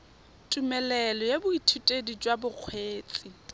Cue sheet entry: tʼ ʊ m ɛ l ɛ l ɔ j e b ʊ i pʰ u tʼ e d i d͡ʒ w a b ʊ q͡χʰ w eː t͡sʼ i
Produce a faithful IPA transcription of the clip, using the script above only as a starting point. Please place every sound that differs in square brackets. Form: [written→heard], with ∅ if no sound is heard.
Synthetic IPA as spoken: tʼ [ʊ→u] m ɛ l ɛ l ɔ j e b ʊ i [pʰ→tʰ] u tʼ e d i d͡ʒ w a b ʊ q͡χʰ w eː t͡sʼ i